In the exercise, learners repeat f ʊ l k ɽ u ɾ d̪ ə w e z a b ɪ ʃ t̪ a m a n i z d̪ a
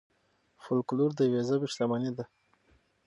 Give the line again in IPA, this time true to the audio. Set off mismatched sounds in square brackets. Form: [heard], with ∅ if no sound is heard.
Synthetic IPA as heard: f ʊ l k [l] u ɾ d̪ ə w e z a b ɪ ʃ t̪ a m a n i [∅] d̪ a